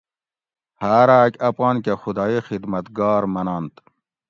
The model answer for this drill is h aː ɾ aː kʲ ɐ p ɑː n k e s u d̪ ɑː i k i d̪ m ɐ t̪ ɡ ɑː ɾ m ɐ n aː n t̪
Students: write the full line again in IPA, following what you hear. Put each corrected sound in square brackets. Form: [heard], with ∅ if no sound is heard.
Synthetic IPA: h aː ɾ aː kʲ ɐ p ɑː n k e [x] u d̪ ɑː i [x] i d̪ m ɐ t̪ ɡ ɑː ɾ m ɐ n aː n t̪